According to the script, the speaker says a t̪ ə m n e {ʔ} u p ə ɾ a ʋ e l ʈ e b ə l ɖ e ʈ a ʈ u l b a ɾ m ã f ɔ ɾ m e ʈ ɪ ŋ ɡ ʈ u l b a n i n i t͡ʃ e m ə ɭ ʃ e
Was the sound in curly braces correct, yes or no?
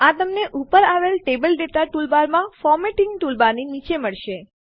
yes